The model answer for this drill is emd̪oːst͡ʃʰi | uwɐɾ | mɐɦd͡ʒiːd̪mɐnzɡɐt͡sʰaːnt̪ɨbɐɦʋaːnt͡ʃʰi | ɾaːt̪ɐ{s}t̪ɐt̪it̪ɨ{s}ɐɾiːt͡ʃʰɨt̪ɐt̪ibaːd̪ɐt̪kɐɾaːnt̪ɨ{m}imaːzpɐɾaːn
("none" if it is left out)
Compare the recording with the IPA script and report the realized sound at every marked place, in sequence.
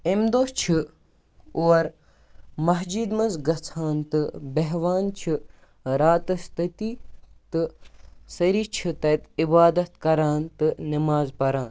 s, s, n

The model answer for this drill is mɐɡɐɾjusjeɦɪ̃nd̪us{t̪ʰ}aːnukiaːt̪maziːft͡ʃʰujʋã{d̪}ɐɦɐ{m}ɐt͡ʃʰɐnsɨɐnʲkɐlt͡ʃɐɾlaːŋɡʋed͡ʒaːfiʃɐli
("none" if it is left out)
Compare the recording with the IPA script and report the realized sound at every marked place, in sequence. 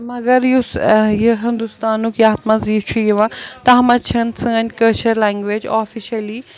t̪, t̪, m

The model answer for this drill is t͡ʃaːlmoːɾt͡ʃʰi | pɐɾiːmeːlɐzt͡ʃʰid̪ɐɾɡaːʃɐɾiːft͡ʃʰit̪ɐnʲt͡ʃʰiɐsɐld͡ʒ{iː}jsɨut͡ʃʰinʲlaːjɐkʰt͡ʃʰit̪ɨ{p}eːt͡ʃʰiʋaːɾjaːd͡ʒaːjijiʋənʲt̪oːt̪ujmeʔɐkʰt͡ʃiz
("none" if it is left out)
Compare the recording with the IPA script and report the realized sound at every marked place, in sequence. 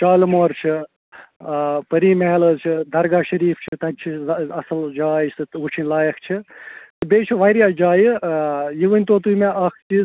aː, b

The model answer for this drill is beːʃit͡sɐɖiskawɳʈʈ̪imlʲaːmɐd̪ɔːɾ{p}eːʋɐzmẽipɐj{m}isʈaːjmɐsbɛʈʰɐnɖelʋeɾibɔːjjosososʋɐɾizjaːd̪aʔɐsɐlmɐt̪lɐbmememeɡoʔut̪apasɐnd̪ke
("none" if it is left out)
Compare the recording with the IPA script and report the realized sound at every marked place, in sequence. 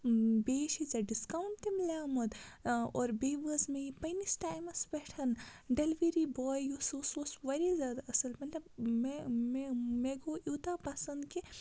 b, n

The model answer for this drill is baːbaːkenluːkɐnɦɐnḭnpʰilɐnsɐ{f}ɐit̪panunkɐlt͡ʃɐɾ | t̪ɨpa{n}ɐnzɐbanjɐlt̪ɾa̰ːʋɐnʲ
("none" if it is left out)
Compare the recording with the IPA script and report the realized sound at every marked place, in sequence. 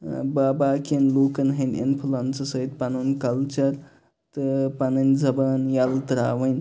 s, n

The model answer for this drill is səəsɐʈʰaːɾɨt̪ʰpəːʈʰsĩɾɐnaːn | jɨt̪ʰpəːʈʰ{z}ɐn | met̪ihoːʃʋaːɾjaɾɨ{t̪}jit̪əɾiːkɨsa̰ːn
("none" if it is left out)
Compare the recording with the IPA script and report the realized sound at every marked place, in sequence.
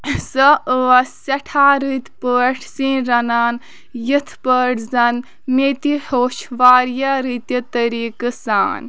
z, t̪

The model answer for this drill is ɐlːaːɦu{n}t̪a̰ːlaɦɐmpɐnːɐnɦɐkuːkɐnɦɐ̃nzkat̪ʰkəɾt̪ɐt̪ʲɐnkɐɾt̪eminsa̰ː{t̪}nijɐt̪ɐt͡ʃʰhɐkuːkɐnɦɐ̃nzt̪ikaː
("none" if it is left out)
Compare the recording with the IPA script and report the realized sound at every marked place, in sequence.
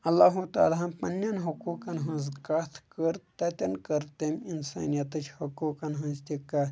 none, none

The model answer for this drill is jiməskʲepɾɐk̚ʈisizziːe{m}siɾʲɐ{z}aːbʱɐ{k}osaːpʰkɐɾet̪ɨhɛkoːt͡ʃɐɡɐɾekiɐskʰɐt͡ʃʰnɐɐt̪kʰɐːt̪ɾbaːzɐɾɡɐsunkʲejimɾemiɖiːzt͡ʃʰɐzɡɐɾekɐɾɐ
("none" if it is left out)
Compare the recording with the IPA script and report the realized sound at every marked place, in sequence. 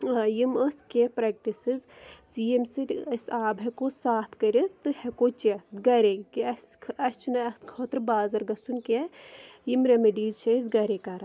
m, s, k

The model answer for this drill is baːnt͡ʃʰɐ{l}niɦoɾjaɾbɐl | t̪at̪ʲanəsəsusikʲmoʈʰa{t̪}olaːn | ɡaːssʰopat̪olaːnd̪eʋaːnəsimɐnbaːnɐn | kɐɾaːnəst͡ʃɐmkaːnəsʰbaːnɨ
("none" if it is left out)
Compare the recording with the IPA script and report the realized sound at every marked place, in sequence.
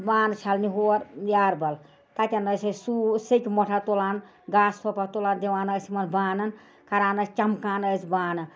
l, t̪

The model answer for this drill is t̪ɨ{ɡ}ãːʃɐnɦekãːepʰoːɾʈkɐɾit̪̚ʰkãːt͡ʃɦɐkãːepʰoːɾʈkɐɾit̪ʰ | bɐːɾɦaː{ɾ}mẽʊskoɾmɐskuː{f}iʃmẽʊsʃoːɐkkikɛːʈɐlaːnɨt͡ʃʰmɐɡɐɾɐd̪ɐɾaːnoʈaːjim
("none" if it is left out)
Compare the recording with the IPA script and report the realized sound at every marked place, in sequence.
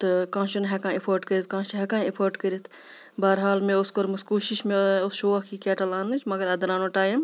k, l, ʃ

